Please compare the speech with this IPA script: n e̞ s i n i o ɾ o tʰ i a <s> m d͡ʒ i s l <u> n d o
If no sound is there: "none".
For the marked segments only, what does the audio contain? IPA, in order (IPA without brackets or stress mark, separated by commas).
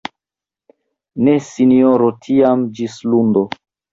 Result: none, u